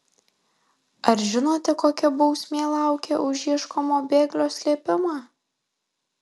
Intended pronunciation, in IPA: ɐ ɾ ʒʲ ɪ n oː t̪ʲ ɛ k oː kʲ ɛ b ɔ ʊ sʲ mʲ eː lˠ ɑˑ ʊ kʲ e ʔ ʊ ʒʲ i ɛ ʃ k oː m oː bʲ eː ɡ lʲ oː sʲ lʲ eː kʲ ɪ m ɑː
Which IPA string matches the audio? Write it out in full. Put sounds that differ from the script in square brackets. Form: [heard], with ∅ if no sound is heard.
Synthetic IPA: ɐ ɾ ʒʲ ɪ n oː t̪ʲ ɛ k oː kʲ ɛ b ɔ ʊ sʲ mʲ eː lˠ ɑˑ ʊ kʲ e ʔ ʊ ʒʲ i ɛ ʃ k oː m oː bʲ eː ɡ lʲ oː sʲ lʲ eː [pʲ] ɪ m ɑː

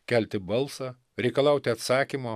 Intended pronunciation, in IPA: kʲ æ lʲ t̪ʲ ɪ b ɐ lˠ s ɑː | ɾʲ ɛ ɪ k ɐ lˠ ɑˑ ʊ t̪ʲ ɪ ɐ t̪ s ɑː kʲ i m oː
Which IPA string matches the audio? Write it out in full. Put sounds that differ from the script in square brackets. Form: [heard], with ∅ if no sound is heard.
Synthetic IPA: kʲ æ lʲ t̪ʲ ɪ b ɐ lˠ s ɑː | ɾʲ ɛ ɪ k ɐ lˠ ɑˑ ʊ t̪ʲ ɪ ɐ t̪ s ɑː kʲ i m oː

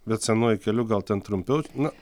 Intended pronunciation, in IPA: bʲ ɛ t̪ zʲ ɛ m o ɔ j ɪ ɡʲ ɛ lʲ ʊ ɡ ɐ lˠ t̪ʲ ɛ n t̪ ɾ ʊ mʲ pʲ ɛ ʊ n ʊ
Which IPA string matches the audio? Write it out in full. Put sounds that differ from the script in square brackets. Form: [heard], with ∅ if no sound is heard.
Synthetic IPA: bʲ ɛ t̪ [sʲ] ɛ [n] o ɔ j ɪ [kʲ] ɛ lʲ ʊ ɡ ɐ lˠ t̪ʲ ɛ n t̪ ɾ ʊ mʲ pʲ ɛ ʊ n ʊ

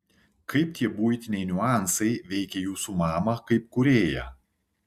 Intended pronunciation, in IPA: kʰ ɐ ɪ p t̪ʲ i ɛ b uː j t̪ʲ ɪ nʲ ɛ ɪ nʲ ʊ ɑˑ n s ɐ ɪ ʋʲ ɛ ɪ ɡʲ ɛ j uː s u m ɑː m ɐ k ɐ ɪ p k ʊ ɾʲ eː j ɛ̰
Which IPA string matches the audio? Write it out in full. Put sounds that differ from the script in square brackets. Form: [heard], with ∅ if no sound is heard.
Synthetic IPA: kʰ ɐ ɪ p t̪ʲ i ɛ b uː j t̪ʲ ɪ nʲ ɛ ɪ nʲ ʊ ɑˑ n s ɐ ɪ ʋʲ ɛ ɪ [kʲ] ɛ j uː s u m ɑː m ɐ k ɐ ɪ p k ʊ ɾʲ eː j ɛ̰

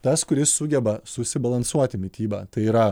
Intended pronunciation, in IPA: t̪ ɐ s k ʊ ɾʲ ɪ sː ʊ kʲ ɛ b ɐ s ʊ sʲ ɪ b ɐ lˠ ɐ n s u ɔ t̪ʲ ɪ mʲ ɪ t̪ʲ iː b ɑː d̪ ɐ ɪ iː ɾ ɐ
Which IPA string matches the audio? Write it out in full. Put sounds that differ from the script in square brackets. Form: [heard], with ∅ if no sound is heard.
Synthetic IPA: t̪ ɐ s k ʊ ɾʲ ɪ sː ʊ [ɡʲ] ɛ b ɐ s ʊ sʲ ɪ b ɐ lˠ ɐ n s u ɔ t̪ʲ ɪ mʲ ɪ t̪ʲ iː b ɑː [t̪] ɐ ɪ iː ɾ ɐ

